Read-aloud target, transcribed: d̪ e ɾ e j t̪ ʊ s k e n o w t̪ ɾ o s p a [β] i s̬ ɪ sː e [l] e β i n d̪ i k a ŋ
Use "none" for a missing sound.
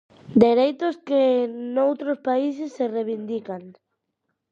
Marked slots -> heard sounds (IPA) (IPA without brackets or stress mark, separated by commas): none, r